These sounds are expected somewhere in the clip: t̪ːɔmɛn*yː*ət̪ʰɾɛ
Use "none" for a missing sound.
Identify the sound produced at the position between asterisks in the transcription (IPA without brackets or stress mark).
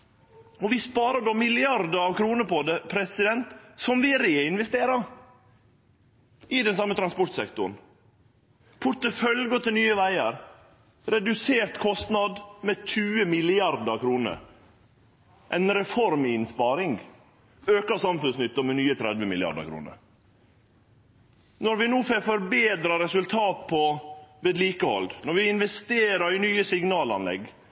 yː